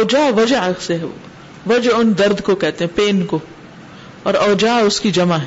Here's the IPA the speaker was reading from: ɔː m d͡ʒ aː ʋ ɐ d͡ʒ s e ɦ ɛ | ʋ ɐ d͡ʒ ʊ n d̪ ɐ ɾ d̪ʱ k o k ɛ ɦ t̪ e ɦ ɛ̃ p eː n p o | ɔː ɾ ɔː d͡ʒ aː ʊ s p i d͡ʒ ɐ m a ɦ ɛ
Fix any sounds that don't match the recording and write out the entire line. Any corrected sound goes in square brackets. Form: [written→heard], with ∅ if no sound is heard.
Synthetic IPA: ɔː [m→∅] d͡ʒ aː ʋ ɐ d͡ʒ s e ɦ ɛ | ʋ ɐ d͡ʒ ʊ n d̪ ɐ ɾ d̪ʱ k o k ɛ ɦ t̪ e ɦ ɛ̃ p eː n [p→k] o | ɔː ɾ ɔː d͡ʒ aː ʊ s [p→k] i d͡ʒ ɐ m a ɦ ɛ